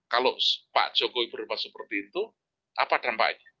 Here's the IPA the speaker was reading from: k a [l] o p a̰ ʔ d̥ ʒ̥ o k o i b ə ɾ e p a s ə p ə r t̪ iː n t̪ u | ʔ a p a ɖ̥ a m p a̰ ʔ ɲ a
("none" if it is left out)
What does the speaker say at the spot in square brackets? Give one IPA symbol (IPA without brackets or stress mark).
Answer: l